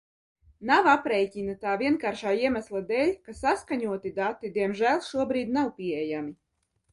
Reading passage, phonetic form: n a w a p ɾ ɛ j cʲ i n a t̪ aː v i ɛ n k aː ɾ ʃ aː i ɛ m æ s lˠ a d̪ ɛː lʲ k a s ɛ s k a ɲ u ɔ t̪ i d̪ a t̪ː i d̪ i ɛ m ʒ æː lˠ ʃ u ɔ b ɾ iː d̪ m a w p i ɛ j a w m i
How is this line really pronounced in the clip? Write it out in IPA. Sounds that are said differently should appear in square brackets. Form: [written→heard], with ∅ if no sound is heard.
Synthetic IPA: n a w a p ɾ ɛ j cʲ i n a t̪ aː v i ɛ n k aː ɾ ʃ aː i ɛ m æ s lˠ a d̪ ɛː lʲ k a s [ɛ→a] s k a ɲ u ɔ t̪ i d̪ a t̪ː i d̪ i ɛ m ʒ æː lˠ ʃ u ɔ b ɾ iː d̪ [m→n] a w p i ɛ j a [w→∅] m i

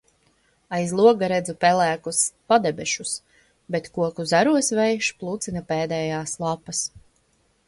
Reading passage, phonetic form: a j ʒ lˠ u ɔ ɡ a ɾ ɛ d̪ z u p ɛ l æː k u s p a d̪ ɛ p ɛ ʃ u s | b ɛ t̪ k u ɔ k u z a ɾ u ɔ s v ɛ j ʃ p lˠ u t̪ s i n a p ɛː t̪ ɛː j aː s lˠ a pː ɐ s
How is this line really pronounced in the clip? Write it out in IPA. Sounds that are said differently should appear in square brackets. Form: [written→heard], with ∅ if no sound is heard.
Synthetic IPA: a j [ʒ→z] lˠ u ɔ ɡ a ɾ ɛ d̪ z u p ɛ l æː k u s p a d̪ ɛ [p→b] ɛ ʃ u s | b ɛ t̪ k u ɔ k u z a ɾ u ɔ s v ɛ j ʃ p lˠ u t̪ s i n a p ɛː [t̪→d̪] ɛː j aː s lˠ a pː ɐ s

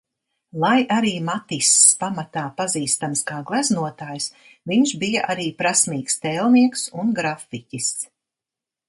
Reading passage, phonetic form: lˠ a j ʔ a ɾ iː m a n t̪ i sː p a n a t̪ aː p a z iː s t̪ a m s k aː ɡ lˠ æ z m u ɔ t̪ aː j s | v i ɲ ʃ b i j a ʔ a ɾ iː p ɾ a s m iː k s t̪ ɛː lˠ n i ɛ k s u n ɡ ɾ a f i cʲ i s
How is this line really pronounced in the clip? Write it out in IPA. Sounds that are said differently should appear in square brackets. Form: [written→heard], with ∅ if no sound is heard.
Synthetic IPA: lˠ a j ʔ a ɾ iː m a [n→∅] t̪ i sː p a [n→m] a t̪ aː p a z iː s t̪ a m s k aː ɡ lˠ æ z [m→n] u ɔ t̪ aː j s | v i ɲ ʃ b i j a ʔ a ɾ iː p ɾ a s m iː k s t̪ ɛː lˠ n i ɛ k s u n ɡ ɾ a f i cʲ i s

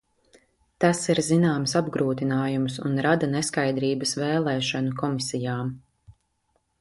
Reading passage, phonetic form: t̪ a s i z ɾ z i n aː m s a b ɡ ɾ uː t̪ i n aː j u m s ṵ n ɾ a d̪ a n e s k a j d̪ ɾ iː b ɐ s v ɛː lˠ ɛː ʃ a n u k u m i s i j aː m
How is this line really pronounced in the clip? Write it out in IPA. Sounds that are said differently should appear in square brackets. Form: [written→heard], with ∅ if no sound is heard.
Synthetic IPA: t̪ a s i [z→∅] ɾ z i n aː m s a b ɡ ɾ uː t̪ i n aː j u m s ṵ n ɾ a d̪ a n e s k a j d̪ ɾ iː b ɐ s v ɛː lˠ ɛː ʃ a n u k [u→ɔ] m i s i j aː m

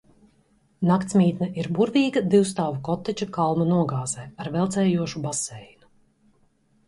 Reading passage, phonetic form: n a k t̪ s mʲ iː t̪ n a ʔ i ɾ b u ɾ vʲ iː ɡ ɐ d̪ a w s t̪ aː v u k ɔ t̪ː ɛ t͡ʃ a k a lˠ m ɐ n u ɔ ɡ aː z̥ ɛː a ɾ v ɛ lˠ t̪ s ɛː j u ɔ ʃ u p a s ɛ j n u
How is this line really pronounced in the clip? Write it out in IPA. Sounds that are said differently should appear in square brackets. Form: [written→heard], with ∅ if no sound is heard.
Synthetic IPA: n a k t̪ s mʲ iː t̪ n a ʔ i ɾ b u ɾ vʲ iː ɡ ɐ d̪ [a→i] w s t̪ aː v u k ɔ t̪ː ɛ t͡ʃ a k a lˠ m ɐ n u ɔ ɡ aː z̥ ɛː a ɾ v ɛ lˠ t̪ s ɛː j u ɔ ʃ u [p→b] a s ɛ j n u

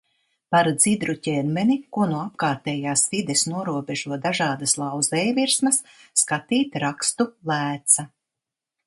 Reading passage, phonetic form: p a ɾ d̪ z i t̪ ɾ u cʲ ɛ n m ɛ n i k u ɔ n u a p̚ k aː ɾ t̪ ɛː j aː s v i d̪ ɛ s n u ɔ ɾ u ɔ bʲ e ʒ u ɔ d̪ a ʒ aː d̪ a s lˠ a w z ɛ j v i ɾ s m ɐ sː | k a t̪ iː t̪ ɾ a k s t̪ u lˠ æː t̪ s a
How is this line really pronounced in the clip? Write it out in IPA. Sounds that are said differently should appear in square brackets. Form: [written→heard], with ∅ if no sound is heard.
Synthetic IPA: p a ɾ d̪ z i [t̪→d̪] ɾ u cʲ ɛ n m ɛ n i k u ɔ n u a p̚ k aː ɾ t̪ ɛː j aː s v i d̪ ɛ s n u ɔ ɾ u ɔ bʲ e ʒ u ɔ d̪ a ʒ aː d̪ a s lˠ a w z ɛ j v i ɾ s m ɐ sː | k a t̪ iː t̪ ɾ a k s t̪ u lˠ æː t̪ s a

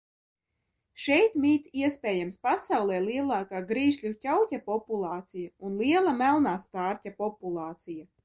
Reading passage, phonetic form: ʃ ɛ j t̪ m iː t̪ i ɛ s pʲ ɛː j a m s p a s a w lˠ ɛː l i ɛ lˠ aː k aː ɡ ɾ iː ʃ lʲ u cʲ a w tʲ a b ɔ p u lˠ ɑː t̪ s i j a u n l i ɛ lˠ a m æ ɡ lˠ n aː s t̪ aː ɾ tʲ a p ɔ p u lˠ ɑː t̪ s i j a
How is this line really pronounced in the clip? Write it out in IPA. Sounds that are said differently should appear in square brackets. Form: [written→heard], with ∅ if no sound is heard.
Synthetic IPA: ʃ ɛ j t̪ m iː t̪ i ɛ s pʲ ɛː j a m s p a s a w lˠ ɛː l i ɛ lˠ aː k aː ɡ ɾ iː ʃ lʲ u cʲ a w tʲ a [b→p] ɔ p u lˠ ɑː t̪ s i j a u n l i ɛ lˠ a m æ [ɡ→∅] lˠ n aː s t̪ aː ɾ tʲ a p ɔ p u lˠ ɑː t̪ s i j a

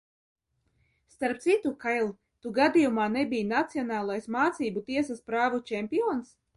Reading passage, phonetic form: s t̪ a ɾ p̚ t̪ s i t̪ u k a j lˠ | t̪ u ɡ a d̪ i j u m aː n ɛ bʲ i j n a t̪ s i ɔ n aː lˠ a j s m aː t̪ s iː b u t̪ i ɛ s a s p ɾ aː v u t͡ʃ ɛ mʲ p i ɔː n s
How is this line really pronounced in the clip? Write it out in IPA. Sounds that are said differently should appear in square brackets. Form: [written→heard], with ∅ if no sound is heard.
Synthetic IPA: s t̪ a ɾ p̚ t̪ s i t̪ u k a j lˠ | t̪ u ɡ a d̪ i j u m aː n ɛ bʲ i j n a t̪ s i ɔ n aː lˠ a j s m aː t̪ s iː b u t̪ i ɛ s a s p ɾ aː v u t͡ʃ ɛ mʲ p i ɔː n s

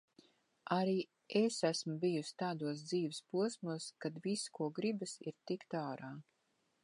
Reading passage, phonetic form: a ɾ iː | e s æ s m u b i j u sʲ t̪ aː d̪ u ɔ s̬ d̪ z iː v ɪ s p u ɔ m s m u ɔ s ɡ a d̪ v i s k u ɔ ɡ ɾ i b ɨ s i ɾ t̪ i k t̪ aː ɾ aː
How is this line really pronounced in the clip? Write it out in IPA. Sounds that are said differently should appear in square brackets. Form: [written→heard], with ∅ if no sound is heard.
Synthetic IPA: a ɾ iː | e s æ s m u b i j u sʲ t̪ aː d̪ u ɔ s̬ d̪ z iː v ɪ s p u ɔ [m→∅] s m u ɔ s [ɡ→k] a d̪ v i s k u ɔ ɡ ɾ i b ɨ s i ɾ t̪ i k t̪ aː ɾ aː

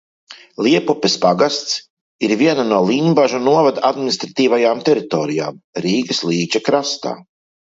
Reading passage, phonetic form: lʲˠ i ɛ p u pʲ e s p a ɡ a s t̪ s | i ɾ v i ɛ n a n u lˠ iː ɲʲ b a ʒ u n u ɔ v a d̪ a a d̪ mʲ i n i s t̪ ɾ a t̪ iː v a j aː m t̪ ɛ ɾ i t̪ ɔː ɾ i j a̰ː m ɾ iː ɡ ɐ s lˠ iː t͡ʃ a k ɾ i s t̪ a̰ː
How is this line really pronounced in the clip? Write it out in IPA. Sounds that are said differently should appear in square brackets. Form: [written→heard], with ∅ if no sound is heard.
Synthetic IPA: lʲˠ i ɛ p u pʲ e s p a ɡ a s t̪ s | i ɾ v i ɛ n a n u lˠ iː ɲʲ b a ʒ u n u ɔ v a d̪ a a d̪ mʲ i n i s t̪ ɾ a t̪ iː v a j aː m t̪ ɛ ɾ i t̪ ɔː ɾ i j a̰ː m ɾ iː ɡ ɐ s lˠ iː t͡ʃ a k ɾ [i→a] s t̪ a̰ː

